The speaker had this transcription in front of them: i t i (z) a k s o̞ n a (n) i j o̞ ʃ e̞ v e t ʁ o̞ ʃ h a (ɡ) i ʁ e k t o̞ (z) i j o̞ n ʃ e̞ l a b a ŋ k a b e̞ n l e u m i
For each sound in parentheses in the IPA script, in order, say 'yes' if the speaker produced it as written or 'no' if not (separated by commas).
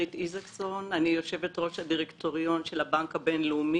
yes, yes, no, no